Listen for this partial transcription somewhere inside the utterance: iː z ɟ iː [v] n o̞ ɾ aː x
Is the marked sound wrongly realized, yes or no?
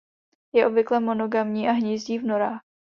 no